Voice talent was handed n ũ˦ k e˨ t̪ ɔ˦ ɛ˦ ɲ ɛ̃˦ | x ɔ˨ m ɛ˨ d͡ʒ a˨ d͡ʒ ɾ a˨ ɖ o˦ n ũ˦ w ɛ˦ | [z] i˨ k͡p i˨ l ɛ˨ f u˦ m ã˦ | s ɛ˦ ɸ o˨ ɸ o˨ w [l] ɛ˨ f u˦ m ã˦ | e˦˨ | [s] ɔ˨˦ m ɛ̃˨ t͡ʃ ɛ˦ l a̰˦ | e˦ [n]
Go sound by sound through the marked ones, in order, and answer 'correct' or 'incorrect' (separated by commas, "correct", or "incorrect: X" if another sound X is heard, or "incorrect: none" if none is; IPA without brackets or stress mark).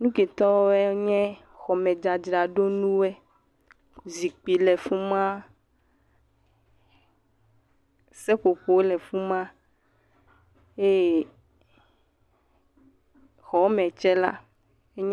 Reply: correct, correct, incorrect: x, incorrect: ɲ